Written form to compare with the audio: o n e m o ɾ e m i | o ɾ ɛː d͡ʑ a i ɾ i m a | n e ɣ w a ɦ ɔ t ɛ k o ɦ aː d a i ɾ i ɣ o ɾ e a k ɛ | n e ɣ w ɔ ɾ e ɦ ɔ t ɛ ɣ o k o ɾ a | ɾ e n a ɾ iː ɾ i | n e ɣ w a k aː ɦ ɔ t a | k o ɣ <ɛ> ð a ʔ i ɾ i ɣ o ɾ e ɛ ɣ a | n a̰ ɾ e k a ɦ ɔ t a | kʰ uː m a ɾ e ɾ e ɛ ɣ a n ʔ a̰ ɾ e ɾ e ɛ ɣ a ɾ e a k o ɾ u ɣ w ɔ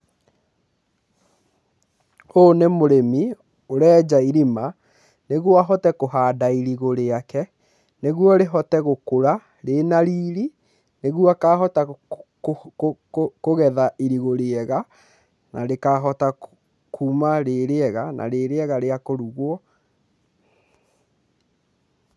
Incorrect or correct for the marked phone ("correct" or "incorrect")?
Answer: correct